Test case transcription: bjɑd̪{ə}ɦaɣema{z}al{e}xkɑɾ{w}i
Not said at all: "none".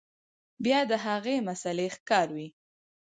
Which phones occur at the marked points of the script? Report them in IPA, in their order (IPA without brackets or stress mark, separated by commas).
ə, s, e, w